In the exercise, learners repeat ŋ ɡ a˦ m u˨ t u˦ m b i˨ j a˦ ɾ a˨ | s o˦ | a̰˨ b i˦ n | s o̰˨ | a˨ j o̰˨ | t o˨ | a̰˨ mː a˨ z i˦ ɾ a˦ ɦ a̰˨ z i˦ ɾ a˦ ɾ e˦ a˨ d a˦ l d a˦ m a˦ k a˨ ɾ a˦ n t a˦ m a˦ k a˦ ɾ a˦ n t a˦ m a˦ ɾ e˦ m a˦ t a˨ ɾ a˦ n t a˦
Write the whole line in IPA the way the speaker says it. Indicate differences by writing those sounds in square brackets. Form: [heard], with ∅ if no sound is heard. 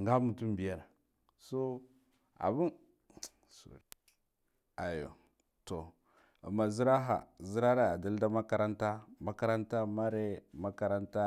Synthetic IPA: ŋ ɡ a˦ m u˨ t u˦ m b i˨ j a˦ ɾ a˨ | s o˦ | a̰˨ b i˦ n | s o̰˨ | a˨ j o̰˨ | t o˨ | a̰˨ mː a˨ z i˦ ɾ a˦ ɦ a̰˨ z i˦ ɾ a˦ ɾ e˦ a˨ d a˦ l d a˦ m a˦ k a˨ ɾ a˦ n t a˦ m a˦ k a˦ ɾ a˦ n t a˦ m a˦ ɾ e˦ m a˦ [k] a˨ ɾ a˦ n t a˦